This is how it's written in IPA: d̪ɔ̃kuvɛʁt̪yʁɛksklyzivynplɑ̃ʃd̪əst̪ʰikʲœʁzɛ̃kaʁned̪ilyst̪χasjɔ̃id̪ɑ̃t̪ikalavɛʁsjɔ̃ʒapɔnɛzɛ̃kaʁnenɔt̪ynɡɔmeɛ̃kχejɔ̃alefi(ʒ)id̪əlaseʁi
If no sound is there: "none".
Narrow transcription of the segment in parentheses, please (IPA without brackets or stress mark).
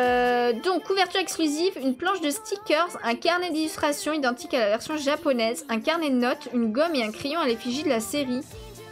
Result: ʒ